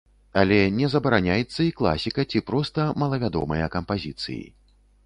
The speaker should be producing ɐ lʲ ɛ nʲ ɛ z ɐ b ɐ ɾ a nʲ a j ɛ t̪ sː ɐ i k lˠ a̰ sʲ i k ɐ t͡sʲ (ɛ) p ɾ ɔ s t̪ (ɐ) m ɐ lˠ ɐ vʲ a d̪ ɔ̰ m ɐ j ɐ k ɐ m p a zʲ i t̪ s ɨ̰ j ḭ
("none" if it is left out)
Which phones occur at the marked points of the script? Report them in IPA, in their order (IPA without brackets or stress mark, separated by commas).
i, ɐ